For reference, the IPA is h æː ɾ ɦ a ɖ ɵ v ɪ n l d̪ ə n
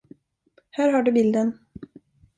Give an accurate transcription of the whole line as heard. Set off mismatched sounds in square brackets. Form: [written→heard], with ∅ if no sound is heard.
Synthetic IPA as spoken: h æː ɾ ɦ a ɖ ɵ [v→b] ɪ [n→∅] l d̪ ə n

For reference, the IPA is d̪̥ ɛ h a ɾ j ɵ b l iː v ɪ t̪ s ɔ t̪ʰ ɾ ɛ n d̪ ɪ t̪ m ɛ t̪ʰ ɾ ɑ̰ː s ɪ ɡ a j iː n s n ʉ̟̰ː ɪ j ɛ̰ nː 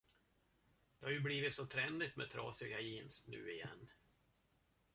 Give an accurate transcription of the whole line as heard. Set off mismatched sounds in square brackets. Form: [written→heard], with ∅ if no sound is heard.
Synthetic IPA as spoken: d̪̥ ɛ h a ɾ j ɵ b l iː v ɪ t̪ s ɔ t̪ʰ ɾ ɛ n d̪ ɪ t̪ m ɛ t̪ʰ ɾ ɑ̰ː s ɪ ɡ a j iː n s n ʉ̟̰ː ɪ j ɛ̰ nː

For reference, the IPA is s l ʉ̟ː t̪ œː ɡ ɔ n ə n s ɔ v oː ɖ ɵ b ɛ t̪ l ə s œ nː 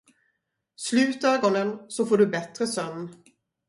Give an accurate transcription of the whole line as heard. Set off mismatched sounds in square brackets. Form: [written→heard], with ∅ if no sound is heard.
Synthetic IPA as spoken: s l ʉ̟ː t̪ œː ɡ ɔ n ə n s ɔ [v→f] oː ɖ ɵ b ɛ t̪ [l→ɾ] ə s œ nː

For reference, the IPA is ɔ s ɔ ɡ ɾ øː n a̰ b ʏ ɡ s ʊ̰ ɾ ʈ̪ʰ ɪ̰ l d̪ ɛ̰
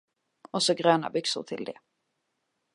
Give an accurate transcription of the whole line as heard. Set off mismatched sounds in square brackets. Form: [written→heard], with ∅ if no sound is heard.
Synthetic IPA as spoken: ɔ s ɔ ɡ ɾ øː n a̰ b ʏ [ɡ→k] s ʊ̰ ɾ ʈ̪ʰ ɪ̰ l d̪ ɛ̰

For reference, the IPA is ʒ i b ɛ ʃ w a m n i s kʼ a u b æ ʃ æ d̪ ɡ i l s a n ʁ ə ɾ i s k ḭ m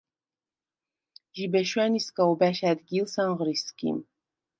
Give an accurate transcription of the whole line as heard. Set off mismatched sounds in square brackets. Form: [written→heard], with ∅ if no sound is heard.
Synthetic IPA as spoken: ʒ i b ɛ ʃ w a [m→∅] n i s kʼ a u b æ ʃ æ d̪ ɡ i l s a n ʁ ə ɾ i s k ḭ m

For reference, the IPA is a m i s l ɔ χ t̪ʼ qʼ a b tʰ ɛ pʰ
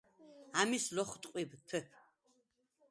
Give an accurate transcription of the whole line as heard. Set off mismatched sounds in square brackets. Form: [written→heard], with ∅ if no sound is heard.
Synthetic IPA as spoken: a m i s l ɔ χ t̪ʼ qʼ [a→i] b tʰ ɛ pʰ

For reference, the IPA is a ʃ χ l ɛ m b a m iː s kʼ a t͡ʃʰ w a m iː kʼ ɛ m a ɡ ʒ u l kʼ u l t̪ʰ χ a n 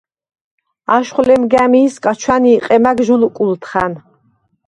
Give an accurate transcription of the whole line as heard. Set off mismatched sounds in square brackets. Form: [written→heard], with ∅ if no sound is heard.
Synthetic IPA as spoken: a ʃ χ l ɛ m [b→ɡ] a m iː s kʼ a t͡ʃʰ w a [m→n] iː [kʼ→qʼ] ɛ m a ɡ ʒ u l kʼ u l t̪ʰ χ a n

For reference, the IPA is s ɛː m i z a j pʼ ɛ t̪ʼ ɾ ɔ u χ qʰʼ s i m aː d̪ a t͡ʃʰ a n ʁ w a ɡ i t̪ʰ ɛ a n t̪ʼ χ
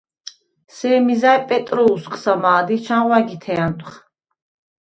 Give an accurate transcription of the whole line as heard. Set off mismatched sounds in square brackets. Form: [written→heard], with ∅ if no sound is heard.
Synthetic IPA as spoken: s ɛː m i z a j pʼ ɛ t̪ʼ ɾ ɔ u [χ→s] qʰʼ s [i→a] m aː d̪ [a→i] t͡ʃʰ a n ʁ w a ɡ i t̪ʰ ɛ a n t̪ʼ χ

